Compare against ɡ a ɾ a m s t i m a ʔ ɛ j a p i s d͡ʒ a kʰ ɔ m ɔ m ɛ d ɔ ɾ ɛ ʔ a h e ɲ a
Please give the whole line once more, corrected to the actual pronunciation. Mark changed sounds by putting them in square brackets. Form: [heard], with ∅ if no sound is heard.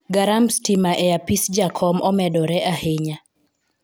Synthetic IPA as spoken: ɡ a ɾ a m s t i m a ʔ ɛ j a p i s d͡ʒ a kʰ ɔ m ɔ m ɛ d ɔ ɾ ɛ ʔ a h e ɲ a